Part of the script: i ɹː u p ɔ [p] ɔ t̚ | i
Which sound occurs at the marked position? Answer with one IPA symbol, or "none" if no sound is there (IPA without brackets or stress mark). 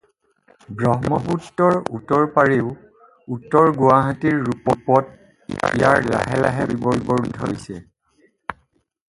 p